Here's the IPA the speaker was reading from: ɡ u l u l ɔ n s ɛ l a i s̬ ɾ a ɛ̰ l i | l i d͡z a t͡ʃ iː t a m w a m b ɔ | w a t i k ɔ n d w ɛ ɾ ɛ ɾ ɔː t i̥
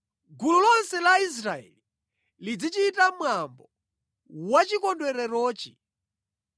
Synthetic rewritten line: ɡ u l u l ɔ n s ɛ l a i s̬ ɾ a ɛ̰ l i | l i d͡z i t͡ʃ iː t a m w a m b ɔ | w a t͡ʃ i k ɔ n d w ɛ ɾ ɛ ɾ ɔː t͡ʃ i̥